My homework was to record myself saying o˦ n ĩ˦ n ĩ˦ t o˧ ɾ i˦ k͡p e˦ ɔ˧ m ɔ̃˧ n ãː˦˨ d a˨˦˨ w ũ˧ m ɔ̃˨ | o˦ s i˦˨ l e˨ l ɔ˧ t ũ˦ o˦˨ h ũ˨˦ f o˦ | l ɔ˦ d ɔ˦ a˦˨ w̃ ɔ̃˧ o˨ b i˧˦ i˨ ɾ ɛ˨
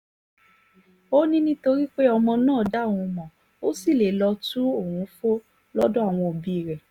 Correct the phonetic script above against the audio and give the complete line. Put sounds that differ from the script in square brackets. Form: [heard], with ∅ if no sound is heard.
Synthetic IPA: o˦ n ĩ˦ n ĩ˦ t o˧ ɾ i˦ k͡p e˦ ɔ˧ m ɔ̃˧ n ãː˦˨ d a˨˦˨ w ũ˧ m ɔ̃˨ | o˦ s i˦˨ l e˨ l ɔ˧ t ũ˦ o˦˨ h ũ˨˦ f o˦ | l ɔ˦ d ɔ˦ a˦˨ w̃ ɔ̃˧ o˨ b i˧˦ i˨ ɾ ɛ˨